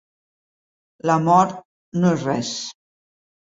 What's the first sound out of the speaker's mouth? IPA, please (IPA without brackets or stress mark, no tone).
l